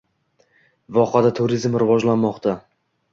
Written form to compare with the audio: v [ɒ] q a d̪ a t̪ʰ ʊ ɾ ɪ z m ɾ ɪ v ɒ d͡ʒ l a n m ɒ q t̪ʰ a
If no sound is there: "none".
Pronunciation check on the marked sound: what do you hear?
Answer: ɒ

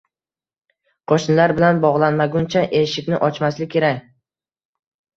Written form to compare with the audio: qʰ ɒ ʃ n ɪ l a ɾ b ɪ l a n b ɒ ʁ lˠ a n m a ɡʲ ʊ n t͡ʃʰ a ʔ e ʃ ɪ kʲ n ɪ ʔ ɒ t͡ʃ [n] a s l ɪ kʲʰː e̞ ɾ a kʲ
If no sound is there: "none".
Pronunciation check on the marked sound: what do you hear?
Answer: m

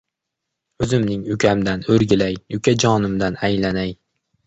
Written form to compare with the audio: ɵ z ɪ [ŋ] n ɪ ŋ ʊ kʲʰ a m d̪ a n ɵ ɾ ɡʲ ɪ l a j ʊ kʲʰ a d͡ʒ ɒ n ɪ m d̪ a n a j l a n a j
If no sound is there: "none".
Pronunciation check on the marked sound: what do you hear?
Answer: m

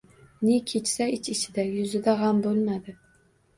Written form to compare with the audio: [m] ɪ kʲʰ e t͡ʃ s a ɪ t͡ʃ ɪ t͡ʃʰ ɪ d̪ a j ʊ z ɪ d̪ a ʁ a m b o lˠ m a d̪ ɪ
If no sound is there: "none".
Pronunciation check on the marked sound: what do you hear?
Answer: n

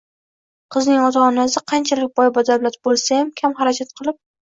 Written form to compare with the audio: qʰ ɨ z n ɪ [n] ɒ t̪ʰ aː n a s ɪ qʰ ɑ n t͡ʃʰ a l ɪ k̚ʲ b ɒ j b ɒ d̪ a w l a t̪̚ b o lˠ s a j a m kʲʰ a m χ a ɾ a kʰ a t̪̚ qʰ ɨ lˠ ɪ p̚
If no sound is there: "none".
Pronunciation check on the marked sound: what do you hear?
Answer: ŋ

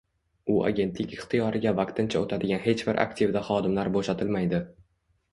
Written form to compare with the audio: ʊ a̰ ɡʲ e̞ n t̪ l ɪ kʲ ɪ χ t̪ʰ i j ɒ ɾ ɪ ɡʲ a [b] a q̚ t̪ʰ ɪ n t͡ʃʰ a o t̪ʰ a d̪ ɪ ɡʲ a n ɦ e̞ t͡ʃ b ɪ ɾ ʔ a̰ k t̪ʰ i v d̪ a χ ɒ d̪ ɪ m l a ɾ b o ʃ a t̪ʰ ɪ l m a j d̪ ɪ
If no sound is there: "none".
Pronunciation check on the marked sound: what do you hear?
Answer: v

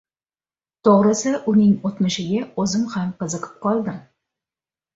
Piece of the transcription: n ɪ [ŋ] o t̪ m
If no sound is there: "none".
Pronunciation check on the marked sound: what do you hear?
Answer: ŋ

